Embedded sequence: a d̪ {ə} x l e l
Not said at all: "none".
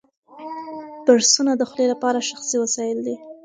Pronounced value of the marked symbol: ə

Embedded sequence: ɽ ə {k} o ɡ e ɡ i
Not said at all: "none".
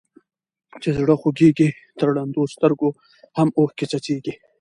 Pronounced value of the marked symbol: x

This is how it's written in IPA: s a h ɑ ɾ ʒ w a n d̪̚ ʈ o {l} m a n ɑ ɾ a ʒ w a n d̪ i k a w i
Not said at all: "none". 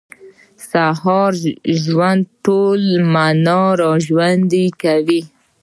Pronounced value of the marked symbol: l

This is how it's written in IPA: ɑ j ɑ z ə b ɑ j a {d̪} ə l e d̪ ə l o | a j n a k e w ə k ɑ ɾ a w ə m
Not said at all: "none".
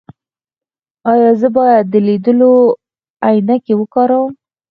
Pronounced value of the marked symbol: d̪ː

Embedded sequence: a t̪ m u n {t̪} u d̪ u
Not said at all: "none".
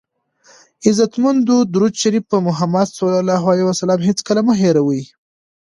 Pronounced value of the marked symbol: d̪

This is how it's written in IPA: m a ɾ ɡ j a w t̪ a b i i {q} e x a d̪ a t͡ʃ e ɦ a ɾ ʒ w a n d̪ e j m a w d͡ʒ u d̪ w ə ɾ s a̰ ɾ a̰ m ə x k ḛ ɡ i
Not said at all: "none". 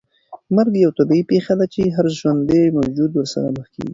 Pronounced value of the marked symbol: p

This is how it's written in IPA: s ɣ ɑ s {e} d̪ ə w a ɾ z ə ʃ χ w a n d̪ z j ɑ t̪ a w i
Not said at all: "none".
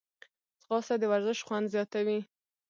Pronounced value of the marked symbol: a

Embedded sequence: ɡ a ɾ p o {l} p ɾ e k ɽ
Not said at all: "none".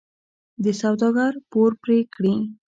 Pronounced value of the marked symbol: ɾ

